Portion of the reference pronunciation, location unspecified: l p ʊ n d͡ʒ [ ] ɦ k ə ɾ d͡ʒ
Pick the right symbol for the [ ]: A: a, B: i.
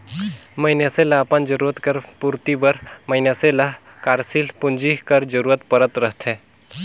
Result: B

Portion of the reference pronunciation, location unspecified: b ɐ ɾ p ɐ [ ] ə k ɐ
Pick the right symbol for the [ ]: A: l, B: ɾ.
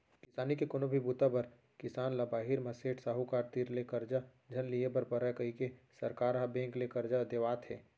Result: B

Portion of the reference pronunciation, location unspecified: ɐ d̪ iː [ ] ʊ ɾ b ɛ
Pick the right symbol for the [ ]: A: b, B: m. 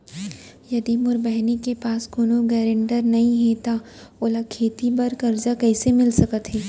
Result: B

